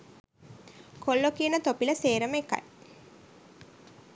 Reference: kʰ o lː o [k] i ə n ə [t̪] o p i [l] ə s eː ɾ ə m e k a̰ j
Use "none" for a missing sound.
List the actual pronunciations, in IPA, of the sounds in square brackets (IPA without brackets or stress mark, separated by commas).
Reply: k, t̪, l